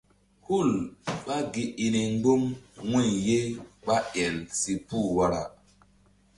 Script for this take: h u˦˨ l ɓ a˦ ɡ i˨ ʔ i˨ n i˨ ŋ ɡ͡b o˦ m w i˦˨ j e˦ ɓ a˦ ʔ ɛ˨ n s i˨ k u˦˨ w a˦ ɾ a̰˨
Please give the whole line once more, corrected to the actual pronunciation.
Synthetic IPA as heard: h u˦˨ l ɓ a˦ ɡ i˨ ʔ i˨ n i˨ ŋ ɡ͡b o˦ m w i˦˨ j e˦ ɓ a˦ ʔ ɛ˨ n s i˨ p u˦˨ w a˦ ɾ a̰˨